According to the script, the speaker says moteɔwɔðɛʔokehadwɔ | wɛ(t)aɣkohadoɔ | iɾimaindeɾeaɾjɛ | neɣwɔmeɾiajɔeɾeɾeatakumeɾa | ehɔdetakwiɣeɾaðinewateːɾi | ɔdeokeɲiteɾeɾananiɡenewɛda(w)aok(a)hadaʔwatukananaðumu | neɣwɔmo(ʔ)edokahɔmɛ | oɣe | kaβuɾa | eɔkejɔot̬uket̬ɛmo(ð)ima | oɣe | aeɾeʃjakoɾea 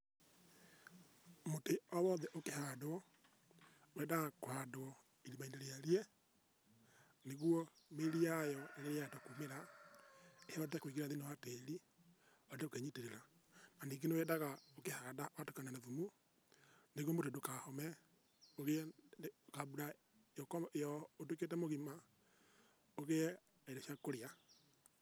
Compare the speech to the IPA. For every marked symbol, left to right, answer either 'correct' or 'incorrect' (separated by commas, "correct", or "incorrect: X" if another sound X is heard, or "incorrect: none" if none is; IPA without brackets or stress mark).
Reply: incorrect: d, incorrect: ɣ, incorrect: e, incorrect: t, incorrect: ɣ